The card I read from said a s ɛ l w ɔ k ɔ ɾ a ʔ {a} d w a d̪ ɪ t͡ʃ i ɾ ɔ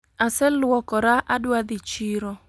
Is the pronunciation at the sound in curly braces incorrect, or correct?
correct